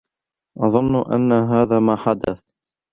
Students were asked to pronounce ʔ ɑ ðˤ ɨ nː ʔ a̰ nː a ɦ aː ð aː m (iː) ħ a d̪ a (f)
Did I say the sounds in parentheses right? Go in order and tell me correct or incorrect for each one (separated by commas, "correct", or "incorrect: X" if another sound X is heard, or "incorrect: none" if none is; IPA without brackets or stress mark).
incorrect: aː, incorrect: θ